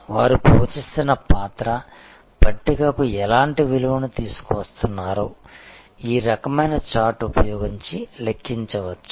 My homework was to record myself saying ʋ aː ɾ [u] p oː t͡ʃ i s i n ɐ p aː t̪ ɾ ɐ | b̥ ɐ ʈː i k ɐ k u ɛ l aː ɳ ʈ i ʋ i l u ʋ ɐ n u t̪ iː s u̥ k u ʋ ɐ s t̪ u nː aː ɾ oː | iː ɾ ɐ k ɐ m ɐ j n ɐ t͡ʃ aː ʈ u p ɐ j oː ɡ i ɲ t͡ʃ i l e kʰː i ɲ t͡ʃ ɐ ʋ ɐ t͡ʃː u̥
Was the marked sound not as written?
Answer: no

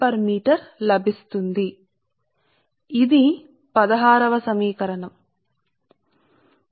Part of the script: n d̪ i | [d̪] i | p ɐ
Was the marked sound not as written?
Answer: no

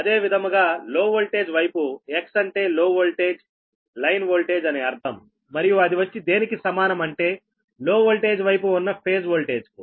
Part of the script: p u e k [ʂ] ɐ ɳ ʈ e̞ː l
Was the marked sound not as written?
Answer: yes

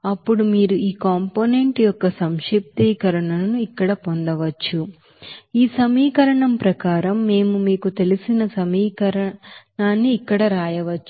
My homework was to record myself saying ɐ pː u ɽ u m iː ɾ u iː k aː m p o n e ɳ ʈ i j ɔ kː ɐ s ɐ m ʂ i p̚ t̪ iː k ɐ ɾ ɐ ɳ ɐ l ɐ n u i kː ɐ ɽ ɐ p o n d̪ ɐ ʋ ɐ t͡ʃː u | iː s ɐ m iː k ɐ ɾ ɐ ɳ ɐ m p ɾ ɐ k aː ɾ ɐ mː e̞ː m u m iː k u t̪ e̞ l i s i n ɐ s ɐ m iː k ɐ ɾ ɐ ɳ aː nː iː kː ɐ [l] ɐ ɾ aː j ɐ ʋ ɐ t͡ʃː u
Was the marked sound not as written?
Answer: yes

